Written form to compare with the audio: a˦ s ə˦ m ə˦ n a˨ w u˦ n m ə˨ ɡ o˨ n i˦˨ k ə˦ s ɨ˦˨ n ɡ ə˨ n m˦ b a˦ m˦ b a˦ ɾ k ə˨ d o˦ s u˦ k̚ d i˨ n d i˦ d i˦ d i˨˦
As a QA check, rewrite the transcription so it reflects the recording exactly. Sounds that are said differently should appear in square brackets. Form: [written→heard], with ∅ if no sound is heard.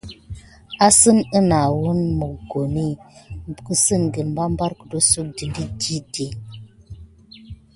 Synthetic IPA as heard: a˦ s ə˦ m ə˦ n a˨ w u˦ n m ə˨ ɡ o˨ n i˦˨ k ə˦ s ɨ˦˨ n ɡ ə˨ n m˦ b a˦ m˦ b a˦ ɾ k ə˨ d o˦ s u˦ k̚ d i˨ n d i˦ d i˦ d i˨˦